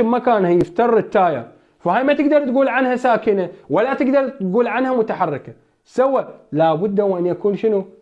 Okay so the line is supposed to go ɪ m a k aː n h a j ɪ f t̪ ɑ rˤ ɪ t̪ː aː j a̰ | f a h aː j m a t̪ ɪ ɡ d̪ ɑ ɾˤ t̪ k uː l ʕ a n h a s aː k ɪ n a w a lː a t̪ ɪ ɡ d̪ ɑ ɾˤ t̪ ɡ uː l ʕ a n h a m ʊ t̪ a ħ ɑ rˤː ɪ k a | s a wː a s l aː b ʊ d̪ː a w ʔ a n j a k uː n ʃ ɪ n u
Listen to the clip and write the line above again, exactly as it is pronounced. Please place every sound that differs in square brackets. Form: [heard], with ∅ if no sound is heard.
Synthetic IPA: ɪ m a k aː n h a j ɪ f t̪ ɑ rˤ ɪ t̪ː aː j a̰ | f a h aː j m a t̪ ɪ ɡ d̪ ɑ ɾˤ t̪ [ɡ] uː l ʕ a n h a s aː k ɪ n a w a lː a t̪ ɪ ɡ d̪ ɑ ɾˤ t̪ ɡ uː l ʕ a n h a m ʊ t̪ a ħ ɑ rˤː ɪ k a | s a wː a [∅] l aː b ʊ d̪ː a w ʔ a n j a k uː n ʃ ɪ n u